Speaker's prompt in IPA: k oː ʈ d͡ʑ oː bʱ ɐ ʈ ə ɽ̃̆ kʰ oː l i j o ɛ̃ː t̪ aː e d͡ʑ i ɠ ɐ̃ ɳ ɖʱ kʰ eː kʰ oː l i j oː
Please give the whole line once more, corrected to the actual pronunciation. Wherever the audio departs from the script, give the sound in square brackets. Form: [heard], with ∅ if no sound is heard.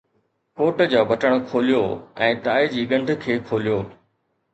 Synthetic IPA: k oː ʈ d͡ʑ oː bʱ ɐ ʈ ə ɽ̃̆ kʰ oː l i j o ɛ̃ː t̪ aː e d͡ʑ [iː] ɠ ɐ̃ ɳ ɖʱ kʰ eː kʰ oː l i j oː